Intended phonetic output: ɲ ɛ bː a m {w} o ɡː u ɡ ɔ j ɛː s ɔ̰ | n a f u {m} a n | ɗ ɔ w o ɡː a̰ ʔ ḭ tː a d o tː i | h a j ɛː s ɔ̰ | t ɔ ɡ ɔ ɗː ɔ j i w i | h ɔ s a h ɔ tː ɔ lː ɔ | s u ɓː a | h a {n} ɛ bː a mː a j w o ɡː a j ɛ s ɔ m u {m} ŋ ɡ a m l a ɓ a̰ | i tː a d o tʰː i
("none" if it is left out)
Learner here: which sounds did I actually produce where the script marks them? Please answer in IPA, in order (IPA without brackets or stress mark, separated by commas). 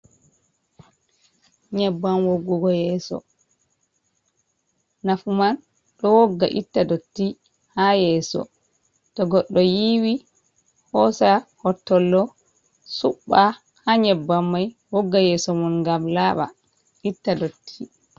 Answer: w, m, ɲ, n